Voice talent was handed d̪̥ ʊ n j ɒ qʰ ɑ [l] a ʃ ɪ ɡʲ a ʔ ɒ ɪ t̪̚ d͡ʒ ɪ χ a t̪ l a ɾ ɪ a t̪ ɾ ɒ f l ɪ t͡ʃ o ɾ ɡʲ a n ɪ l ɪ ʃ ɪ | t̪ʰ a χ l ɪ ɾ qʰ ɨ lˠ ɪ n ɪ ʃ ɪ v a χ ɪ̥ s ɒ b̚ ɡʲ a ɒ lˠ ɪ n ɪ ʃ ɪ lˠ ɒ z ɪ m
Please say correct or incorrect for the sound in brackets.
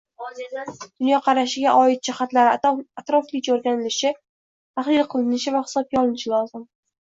incorrect